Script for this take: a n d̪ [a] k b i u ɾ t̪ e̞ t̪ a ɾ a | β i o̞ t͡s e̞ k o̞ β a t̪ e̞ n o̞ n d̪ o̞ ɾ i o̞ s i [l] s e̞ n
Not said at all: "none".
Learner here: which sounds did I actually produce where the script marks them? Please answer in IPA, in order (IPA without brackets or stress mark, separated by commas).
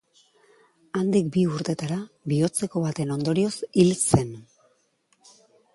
i, l